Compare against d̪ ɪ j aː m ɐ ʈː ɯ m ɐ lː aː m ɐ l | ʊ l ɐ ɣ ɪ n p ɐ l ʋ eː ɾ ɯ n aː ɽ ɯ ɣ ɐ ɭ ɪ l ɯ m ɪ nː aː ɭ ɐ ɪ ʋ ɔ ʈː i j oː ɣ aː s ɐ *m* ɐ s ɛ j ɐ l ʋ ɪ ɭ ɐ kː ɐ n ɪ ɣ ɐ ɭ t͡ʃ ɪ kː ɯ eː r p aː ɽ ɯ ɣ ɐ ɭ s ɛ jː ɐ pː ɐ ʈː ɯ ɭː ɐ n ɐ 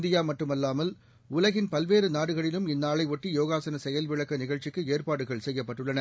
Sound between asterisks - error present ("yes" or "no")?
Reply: yes